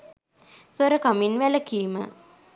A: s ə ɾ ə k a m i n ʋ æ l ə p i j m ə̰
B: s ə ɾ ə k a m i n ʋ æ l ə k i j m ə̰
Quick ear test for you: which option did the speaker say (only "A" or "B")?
B